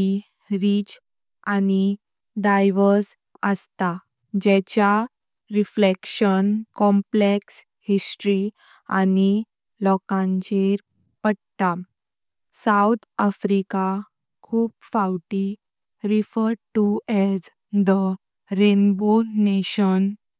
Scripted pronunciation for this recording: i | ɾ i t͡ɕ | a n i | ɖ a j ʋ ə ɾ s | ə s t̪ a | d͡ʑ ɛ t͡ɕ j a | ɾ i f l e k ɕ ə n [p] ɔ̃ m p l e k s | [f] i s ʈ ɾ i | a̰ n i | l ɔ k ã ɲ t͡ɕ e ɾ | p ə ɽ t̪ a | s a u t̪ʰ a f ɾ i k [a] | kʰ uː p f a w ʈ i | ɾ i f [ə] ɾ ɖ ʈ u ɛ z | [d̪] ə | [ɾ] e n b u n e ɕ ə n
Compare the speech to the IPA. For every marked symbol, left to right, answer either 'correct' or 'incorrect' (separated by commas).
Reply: incorrect, incorrect, correct, correct, correct, correct